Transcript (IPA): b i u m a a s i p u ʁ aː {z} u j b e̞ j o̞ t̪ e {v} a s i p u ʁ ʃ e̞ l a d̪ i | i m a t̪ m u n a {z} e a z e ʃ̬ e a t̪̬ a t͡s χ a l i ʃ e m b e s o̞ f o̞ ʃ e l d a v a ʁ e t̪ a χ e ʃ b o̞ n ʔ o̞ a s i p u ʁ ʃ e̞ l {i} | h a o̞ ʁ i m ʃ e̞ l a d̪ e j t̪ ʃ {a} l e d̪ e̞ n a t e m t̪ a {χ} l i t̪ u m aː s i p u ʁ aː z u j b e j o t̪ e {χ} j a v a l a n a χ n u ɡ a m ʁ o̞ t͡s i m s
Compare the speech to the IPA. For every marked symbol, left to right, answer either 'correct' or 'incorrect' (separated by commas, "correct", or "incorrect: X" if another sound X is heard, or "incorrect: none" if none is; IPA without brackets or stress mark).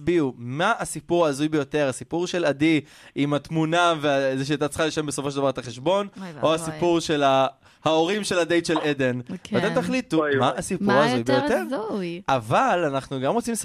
correct, incorrect: ʁ, incorrect: v, incorrect: a, incorrect: e, correct, incorrect: ʁ